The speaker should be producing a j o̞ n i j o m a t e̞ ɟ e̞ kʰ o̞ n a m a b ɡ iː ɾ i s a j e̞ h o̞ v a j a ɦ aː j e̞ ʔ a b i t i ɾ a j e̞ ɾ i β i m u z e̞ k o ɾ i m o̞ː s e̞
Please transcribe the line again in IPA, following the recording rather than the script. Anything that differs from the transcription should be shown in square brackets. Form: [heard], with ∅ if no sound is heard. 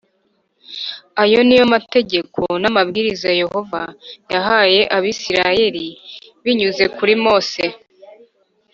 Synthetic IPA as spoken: a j o̞ n i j o m a t e̞ ɟ e̞ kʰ o̞ n a m a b ɡ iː ɾ i [z] a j e̞ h o̞ v a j a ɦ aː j e̞ ʔ a [β] i [s] i ɾ a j e̞ ɾ i β i [ɲ] u z e̞ k [u] ɾ i m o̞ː s e̞